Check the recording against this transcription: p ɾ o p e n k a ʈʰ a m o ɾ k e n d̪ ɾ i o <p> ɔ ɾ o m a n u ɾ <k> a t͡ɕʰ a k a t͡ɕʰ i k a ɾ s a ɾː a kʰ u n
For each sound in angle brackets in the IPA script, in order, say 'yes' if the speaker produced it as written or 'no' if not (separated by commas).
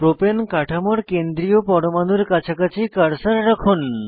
yes, yes